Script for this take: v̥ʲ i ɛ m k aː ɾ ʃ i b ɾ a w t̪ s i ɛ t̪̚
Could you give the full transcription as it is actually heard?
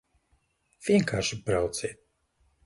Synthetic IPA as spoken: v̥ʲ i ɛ ŋ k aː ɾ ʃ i b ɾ a w t̪ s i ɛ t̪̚